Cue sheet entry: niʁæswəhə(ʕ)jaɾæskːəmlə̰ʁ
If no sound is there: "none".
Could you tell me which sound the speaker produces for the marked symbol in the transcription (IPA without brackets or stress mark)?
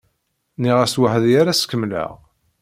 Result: ð